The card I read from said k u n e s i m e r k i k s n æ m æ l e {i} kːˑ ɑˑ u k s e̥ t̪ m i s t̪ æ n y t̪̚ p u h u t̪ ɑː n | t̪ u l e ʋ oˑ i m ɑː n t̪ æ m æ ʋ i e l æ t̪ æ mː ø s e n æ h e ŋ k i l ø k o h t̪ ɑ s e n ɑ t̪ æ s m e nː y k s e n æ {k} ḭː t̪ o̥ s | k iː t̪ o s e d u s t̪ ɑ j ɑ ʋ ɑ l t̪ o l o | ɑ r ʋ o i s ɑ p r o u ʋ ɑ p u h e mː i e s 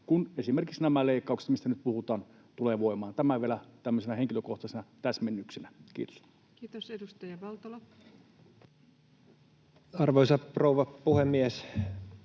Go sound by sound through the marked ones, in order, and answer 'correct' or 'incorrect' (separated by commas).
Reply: correct, correct